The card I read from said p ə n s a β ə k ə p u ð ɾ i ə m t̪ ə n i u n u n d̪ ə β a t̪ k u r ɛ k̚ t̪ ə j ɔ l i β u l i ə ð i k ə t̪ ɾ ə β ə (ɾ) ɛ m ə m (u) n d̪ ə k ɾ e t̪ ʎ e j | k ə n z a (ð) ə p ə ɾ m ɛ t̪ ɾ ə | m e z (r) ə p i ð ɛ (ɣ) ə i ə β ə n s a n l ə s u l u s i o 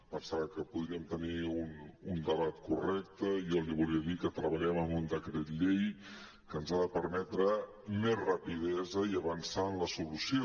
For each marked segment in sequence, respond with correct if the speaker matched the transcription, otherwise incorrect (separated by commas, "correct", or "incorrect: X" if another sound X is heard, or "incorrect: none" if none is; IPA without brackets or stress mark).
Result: incorrect: ʎ, correct, correct, correct, incorrect: z